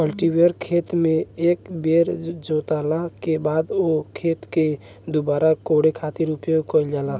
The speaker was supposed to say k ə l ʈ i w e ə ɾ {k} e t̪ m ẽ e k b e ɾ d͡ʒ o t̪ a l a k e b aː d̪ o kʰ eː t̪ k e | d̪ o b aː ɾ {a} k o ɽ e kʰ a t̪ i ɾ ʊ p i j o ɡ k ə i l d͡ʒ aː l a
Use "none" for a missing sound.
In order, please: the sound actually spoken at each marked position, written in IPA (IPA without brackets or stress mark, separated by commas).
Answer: kʰ, a